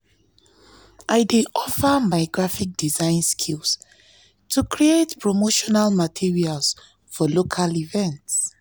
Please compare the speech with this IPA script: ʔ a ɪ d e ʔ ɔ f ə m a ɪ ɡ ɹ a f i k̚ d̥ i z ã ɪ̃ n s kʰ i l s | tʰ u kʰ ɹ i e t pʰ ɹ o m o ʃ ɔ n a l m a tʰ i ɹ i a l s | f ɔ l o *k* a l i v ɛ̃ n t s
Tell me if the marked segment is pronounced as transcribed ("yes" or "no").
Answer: no